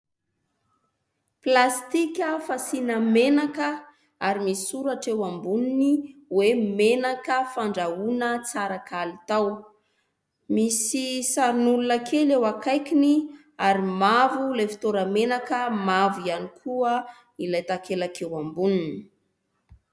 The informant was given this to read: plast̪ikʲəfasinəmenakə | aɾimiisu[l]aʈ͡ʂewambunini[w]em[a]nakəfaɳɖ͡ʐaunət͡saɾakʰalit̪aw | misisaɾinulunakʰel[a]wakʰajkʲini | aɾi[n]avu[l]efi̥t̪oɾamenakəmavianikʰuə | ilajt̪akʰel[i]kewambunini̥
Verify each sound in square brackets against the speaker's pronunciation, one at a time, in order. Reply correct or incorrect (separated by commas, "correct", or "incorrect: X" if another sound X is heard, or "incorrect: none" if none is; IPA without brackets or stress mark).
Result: incorrect: ɾ, correct, incorrect: e, incorrect: e, incorrect: m, correct, incorrect: a